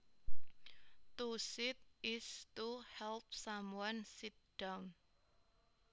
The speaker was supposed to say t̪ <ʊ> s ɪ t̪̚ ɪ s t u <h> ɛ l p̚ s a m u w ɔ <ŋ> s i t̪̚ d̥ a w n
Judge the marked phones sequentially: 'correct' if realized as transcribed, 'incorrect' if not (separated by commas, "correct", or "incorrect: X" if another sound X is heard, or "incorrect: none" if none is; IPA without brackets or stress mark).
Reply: incorrect: u, correct, incorrect: n